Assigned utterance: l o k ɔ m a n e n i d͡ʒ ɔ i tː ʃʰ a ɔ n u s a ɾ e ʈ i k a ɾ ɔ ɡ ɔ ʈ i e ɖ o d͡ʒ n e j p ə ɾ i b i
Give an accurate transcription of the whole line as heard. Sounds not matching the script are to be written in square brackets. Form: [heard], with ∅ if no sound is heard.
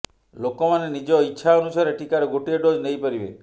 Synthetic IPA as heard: l o k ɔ m a n e n i d͡ʒ ɔ i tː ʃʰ a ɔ n u s a ɾ e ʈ i k a ɾ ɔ ɡ [o] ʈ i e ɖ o d͡ʒ n e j p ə ɾ i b [e]

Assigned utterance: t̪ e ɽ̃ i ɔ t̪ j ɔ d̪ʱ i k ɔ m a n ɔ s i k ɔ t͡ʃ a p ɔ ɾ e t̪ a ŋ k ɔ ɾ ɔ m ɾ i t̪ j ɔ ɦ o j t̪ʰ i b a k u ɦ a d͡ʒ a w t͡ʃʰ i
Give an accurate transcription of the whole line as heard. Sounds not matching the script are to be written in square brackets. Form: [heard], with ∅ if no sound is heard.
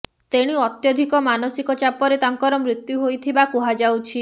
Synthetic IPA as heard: t̪ e ɽ̃ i ɔ t̪ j ɔ d̪ʱ i k ɔ m a n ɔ s i k ɔ t͡ʃ a p ɔ ɾ e t̪ a ŋ k ɔ ɾ ɔ m ɾ i t̪ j [u] ɦ o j t̪ʰ i b a k u ɦ a d͡ʒ a w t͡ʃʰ i

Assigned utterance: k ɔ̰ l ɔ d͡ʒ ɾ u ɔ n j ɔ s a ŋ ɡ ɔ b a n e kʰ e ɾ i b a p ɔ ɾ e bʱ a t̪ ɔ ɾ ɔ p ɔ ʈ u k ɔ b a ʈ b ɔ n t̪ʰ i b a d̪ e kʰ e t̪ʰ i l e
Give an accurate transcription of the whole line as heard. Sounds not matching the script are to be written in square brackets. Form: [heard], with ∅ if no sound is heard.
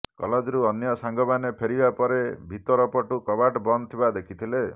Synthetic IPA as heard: k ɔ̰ l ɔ d͡ʒ ɾ u ɔ n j ɔ s a ŋ ɡ ɔ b a n e [pʰ] e ɾ i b a p ɔ ɾ e bʱ [i] t̪ ɔ ɾ ɔ p ɔ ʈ u k ɔ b a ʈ b ɔ n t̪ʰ i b a d̪ e kʰ [i] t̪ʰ i l e

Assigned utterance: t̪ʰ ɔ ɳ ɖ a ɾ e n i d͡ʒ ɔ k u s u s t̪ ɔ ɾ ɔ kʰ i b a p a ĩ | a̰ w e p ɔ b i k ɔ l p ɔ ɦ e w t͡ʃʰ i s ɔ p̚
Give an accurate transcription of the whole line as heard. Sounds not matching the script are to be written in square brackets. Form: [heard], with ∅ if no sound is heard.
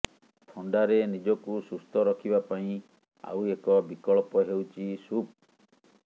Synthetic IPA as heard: t̪ʰ ɔ ɳ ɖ a ɾ e n i d͡ʒ ɔ k u s u s t̪ ɔ ɾ ɔ kʰ i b a p a ĩ | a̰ w e [k] ɔ b i k ɔ [ɭ] p ɔ ɦ e w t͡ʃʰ i s [u] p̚

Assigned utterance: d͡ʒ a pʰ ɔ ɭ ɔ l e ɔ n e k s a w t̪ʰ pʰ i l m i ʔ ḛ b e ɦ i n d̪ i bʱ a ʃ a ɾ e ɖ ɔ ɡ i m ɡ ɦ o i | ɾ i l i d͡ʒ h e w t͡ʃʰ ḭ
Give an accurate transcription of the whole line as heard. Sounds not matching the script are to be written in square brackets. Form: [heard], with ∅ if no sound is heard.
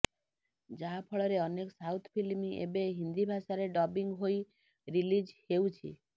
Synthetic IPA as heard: d͡ʒ a pʰ ɔ ɭ ɔ [ɾ] e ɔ n e k s a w t̪ʰ pʰ i l m i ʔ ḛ b e ɦ i n d̪ i bʱ a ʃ a ɾ e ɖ ɔ [b] i [ŋ] ɡ ɦ o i | ɾ i l i d͡ʒ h e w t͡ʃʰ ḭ

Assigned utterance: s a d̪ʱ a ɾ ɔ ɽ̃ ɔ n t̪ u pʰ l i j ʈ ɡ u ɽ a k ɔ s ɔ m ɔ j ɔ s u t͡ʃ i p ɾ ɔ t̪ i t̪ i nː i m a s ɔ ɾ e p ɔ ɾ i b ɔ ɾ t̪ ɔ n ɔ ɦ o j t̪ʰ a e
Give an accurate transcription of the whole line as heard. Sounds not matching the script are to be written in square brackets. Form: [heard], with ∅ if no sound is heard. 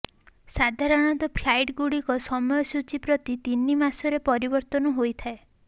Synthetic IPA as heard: s a d̪ʱ a ɾ ɔ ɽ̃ ɔ n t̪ [ɔ] pʰ l [a] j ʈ ɡ u ɽ [i] k ɔ s ɔ m ɔ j ɔ s u t͡ʃ i p ɾ ɔ t̪ i t̪ i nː i m a s ɔ ɾ e p ɔ ɾ i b ɔ ɾ t̪ ɔ n ɔ ɦ o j t̪ʰ a e

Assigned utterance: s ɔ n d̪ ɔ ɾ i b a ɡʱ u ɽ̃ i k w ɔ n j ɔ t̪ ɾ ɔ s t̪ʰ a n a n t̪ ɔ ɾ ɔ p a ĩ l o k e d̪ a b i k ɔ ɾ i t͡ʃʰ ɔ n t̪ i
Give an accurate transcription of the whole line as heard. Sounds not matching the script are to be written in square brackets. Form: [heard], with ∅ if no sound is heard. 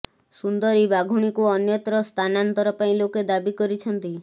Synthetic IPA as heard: s [u] n d̪ ɔ ɾ i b a ɡʱ u ɽ̃ i k [u] ɔ n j ɔ t̪ ɾ ɔ s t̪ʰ a n a n t̪ ɔ ɾ ɔ p a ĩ l o k e d̪ a b i k ɔ ɾ i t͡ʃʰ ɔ n t̪ i

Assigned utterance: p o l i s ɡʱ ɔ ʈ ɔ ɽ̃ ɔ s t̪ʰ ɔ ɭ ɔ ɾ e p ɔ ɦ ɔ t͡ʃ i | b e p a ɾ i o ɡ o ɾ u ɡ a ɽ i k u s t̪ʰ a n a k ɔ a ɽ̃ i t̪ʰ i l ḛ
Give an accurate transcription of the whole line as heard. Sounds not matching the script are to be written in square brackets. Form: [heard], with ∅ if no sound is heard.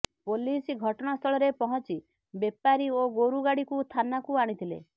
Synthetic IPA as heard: p o l i s ɡʱ ɔ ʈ ɔ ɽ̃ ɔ s t̪ʰ ɔ ɭ ɔ ɾ e p ɔ ɦ ɔ t͡ʃ i | b e p a ɾ i o ɡ o ɾ u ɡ a ɽ i k u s t̪ʰ a n a k [u] a ɽ̃ i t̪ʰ i l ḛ

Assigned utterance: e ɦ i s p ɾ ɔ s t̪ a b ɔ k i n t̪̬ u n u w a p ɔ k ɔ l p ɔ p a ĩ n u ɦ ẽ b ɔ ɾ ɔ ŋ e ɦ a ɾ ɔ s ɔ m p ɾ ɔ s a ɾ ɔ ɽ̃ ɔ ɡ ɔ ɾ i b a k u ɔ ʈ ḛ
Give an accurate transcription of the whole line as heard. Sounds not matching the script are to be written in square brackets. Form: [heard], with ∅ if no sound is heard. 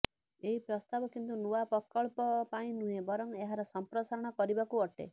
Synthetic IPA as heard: e ɦ i [∅] p ɾ ɔ s t̪ a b ɔ k i n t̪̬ u n u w a p ɔ k ɔ [ɭ] p ɔ p a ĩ n u ɦ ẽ b ɔ ɾ ɔ ŋ e ɦ a ɾ ɔ s ɔ m p ɾ ɔ s a ɾ ɔ ɽ̃ ɔ [k] ɔ ɾ i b a k u ɔ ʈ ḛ

